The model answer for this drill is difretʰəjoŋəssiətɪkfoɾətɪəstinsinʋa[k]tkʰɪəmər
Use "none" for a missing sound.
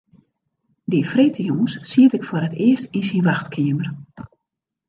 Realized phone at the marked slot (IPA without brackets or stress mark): x